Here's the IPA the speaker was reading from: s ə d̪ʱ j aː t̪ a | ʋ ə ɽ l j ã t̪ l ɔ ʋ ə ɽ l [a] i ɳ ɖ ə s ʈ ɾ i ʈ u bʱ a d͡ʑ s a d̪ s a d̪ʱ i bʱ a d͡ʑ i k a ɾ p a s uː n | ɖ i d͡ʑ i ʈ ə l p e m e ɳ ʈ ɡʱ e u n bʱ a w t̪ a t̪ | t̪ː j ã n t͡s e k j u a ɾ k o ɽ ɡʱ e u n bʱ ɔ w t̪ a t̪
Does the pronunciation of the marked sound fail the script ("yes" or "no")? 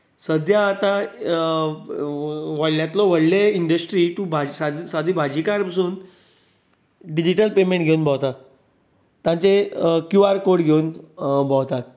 yes